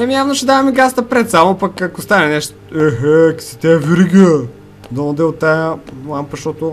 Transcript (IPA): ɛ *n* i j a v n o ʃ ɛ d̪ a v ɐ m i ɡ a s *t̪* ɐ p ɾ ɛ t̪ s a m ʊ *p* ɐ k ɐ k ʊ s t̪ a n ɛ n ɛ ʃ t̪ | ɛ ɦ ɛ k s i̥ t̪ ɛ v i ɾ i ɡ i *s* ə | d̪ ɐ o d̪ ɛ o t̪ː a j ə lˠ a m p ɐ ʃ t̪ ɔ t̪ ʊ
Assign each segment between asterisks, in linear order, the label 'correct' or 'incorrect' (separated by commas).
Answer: incorrect, correct, correct, incorrect